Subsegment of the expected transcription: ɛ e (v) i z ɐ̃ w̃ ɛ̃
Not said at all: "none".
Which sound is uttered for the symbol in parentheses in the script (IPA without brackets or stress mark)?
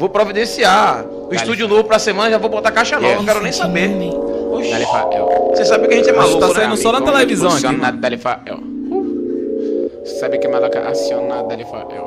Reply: v